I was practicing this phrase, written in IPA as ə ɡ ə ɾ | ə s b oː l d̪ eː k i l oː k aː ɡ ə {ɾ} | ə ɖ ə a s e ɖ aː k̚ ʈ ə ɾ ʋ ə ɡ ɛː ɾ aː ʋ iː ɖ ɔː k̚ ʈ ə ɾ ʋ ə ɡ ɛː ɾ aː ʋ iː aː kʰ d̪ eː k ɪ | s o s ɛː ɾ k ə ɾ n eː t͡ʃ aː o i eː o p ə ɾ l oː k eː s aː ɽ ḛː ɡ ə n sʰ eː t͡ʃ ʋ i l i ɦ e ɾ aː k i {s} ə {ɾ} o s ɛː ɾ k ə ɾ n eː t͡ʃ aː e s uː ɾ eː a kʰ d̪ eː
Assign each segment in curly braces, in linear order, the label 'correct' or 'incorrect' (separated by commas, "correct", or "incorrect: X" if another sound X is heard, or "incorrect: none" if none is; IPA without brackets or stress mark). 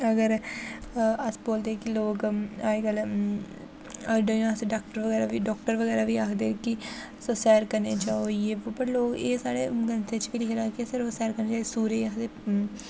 incorrect: l, correct, correct